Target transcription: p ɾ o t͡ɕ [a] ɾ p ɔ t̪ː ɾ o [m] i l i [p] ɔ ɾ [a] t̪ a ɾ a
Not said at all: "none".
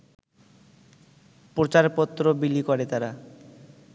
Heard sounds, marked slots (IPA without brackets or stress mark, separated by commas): a, b, k, e